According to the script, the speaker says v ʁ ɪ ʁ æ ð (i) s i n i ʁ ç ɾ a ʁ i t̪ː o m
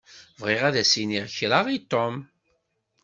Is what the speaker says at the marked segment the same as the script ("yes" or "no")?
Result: no